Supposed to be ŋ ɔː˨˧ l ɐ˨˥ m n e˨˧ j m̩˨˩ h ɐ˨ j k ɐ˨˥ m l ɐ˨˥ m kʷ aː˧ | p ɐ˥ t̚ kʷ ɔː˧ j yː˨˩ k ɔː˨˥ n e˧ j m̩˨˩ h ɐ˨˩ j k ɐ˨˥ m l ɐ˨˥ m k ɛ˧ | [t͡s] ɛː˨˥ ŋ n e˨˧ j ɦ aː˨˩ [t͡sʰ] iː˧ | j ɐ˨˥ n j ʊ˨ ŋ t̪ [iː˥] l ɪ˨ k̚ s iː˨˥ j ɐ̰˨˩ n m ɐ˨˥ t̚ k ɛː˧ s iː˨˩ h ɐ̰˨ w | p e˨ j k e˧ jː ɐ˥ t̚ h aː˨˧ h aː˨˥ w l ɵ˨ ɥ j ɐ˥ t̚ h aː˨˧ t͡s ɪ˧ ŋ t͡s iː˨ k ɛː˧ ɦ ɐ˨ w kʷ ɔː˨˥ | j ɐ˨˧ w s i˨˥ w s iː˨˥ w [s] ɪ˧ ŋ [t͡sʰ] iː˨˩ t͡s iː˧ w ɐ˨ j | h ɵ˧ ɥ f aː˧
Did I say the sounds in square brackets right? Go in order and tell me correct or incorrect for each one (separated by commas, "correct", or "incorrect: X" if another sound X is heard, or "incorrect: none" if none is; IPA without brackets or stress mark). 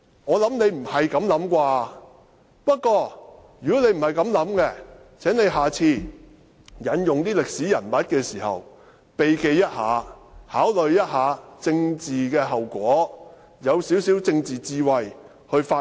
incorrect: t͡sʰ, correct, correct, incorrect: t͡s, incorrect: t͡s